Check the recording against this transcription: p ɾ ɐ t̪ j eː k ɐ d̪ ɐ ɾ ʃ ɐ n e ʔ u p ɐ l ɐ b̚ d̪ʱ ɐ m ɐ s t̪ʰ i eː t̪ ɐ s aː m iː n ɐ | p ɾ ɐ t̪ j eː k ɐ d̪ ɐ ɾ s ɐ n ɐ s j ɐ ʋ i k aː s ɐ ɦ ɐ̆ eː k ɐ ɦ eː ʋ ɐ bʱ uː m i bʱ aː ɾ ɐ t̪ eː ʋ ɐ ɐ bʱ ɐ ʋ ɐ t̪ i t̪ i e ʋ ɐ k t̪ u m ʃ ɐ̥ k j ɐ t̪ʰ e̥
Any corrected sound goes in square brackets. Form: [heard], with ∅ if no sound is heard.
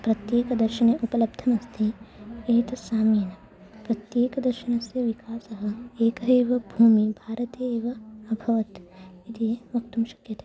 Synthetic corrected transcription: p ɾ ɐ t̪ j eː k ɐ d̪ ɐ ɾ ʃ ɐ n e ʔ u p ɐ l ɐ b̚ d̪ʱ ɐ m ɐ s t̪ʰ i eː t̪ ɐ s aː m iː n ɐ | p ɾ ɐ t̪ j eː k ɐ d̪ ɐ ɾ [ʃ] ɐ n ɐ s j ɐ ʋ i k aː s ɐ ɦ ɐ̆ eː k ɐ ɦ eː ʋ ɐ bʱ uː m i bʱ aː ɾ ɐ t̪ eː ʋ ɐ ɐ bʱ ɐ ʋ ɐ t̪ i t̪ i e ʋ ɐ k t̪ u m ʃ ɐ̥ k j ɐ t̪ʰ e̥